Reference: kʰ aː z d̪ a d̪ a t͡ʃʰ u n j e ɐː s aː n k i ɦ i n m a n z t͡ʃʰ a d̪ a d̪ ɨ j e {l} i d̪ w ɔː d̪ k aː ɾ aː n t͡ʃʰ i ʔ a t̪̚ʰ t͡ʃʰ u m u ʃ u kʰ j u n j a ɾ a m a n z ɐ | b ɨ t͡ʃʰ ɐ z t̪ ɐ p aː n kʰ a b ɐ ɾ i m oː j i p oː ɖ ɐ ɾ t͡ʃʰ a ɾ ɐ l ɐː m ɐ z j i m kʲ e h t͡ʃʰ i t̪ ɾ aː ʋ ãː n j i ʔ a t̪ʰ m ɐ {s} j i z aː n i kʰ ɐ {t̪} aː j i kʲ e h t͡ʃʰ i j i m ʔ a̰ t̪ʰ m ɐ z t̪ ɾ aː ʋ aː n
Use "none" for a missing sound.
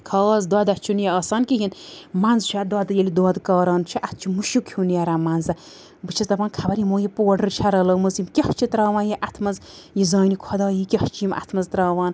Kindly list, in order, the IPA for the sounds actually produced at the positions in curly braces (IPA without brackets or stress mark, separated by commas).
l, z, d̪